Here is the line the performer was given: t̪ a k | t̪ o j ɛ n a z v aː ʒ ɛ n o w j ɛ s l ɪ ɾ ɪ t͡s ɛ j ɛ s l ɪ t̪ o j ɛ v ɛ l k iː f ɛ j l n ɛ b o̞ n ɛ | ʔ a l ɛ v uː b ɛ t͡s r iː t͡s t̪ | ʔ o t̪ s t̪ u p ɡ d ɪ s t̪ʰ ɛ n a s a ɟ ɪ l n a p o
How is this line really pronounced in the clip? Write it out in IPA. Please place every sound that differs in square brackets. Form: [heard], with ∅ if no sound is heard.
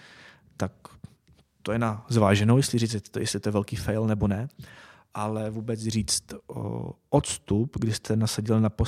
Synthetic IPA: t̪ a k | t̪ o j ɛ n a z v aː ʒ ɛ n o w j ɛ s l ɪ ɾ [i] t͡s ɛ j ɛ s l ɪ t̪ o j ɛ v ɛ l k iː f ɛ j l n ɛ b o̞ n ɛ | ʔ a l ɛ v uː b ɛ t͡s r iː t͡s t̪ | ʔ o t̪ s t̪ u p ɡ d ɪ s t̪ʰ ɛ n a s a ɟ ɪ l n a p o